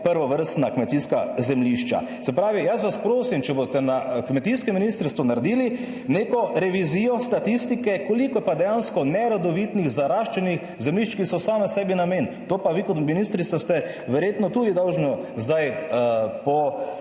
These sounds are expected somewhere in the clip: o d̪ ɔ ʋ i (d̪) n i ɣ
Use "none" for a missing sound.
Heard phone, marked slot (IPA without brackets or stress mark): t̪